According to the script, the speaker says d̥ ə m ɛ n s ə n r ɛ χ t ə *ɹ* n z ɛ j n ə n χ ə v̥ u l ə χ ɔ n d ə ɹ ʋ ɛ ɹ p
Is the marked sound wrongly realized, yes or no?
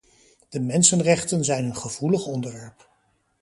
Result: yes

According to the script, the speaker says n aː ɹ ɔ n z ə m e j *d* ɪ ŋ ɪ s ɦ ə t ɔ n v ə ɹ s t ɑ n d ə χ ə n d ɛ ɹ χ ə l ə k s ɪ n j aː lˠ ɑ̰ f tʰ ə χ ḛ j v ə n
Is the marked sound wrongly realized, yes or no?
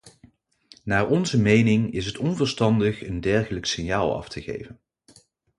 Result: yes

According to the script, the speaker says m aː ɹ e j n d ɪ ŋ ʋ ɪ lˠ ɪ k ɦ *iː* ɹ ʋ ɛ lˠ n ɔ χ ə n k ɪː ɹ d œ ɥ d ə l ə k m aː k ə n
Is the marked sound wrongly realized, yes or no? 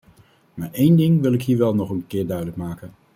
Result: no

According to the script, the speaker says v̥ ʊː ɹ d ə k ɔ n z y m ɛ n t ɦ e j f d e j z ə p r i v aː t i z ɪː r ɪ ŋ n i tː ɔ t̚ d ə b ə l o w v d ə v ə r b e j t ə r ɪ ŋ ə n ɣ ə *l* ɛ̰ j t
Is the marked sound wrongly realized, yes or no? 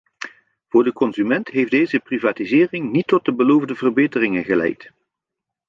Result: no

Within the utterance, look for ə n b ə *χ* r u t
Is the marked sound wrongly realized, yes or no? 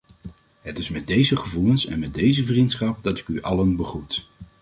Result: no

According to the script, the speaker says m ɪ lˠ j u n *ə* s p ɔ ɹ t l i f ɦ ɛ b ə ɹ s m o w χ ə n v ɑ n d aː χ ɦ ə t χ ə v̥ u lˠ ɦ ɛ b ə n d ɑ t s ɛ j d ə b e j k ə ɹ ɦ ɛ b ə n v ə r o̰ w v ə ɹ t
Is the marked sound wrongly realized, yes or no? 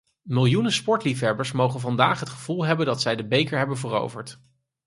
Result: no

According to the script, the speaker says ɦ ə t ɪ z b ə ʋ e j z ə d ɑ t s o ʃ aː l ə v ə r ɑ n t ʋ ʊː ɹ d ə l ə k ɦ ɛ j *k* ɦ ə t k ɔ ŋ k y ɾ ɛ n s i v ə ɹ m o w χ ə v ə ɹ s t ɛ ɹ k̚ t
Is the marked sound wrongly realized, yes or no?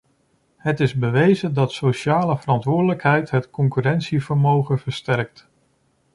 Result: yes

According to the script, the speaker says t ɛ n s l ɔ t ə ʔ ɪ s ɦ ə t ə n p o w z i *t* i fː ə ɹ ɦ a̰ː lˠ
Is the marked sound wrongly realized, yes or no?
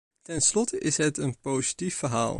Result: no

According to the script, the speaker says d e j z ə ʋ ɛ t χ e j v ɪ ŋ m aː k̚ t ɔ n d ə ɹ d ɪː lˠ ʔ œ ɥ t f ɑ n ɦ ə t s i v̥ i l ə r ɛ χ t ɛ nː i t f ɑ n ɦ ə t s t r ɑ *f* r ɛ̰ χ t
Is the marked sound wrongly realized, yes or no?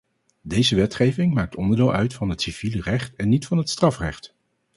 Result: no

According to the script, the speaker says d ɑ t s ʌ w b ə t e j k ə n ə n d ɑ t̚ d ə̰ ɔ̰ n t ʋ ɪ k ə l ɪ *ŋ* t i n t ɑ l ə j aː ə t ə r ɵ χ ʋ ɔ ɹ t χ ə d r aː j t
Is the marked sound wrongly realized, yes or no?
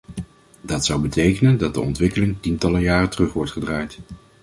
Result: no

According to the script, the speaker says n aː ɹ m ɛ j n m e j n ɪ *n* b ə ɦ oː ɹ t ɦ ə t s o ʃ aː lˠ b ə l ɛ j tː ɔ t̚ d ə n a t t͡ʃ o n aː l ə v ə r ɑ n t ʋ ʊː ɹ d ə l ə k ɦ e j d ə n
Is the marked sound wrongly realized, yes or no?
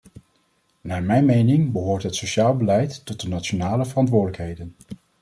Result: yes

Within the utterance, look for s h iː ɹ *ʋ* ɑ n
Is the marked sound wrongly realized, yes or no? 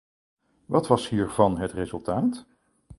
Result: yes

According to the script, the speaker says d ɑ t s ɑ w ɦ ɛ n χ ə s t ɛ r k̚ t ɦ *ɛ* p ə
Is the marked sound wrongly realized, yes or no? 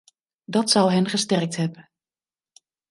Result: no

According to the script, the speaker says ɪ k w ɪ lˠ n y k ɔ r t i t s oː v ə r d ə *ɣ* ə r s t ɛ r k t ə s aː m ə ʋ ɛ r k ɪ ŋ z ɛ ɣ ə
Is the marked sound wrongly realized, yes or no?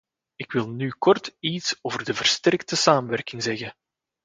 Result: yes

